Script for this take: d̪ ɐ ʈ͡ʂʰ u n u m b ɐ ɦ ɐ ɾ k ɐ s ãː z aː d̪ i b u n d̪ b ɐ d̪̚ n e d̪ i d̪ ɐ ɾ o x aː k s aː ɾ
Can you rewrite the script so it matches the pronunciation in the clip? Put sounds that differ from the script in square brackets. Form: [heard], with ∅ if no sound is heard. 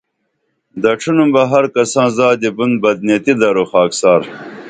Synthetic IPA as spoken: d̪ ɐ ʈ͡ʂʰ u n u m b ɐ ɦ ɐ ɾ k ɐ s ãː z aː d̪ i b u n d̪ b ɐ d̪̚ n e [t̪] i d̪ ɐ ɾ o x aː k s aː ɾ